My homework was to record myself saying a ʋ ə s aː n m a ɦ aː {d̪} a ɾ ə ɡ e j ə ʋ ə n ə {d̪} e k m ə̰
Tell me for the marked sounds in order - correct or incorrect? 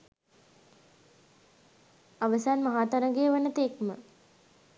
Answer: incorrect: t̪, incorrect: t̪

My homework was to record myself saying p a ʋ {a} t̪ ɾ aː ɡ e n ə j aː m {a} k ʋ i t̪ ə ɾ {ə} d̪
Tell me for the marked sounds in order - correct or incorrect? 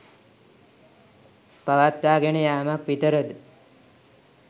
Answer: correct, correct, correct

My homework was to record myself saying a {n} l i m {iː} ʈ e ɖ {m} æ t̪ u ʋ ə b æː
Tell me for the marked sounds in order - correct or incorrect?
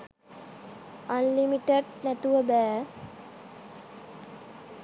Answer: correct, incorrect: i, incorrect: n

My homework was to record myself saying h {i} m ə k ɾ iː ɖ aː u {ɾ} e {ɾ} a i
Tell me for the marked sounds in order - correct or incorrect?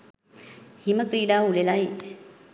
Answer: correct, incorrect: l, incorrect: l

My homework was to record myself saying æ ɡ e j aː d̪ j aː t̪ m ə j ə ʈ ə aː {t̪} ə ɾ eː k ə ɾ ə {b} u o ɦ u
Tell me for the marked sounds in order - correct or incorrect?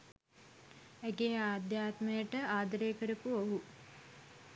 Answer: incorrect: d̪, incorrect: p

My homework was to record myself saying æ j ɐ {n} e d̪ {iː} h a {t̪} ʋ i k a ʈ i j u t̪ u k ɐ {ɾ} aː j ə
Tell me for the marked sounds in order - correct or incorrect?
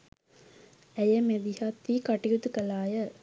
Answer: incorrect: m, incorrect: i, correct, incorrect: l

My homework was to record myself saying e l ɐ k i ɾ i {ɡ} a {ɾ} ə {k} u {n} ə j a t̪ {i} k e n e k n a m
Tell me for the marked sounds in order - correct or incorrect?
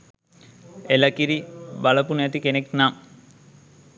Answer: incorrect: b, incorrect: l, incorrect: p, correct, correct

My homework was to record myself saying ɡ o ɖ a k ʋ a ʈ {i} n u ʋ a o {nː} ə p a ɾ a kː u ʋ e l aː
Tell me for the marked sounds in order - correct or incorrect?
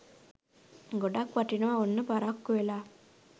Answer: correct, correct

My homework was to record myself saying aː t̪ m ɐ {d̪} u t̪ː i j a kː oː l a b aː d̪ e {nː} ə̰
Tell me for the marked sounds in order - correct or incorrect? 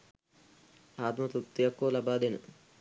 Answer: incorrect: t̪, incorrect: n

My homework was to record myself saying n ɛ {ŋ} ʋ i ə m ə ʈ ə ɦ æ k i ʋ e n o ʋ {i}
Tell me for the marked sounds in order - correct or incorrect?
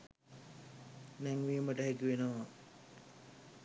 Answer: correct, incorrect: a

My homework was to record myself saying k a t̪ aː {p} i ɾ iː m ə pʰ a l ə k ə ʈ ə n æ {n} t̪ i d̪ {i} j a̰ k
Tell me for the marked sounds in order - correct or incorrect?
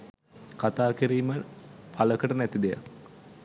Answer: incorrect: k, incorrect: none, incorrect: e

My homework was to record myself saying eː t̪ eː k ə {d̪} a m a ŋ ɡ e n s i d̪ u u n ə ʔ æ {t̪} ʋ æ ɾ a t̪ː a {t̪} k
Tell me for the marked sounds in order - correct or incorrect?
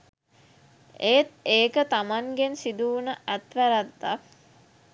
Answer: incorrect: t̪, correct, incorrect: none

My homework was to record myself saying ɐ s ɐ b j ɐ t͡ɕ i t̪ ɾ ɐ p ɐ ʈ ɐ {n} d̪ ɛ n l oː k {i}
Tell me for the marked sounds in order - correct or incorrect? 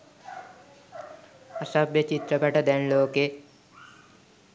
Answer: incorrect: none, incorrect: e

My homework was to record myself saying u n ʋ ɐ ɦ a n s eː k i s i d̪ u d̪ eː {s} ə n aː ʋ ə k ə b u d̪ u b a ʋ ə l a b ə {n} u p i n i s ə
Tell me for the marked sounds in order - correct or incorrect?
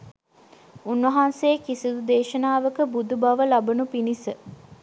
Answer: incorrect: ʃ, correct

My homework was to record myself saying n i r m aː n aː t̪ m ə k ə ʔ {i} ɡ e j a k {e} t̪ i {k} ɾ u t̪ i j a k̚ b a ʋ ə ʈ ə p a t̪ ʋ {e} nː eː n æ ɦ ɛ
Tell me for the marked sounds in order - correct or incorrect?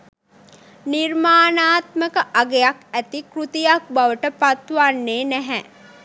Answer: incorrect: a, incorrect: æ, correct, incorrect: a

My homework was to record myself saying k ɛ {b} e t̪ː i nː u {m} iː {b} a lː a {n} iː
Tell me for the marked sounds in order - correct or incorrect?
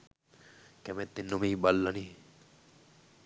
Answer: incorrect: m, correct, correct, correct

